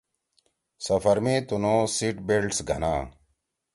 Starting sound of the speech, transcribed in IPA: s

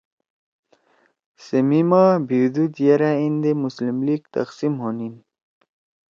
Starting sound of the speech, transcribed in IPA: s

